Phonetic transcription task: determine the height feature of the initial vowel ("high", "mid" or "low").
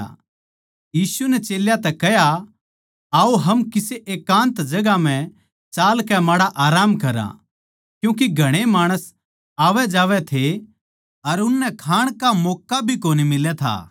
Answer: high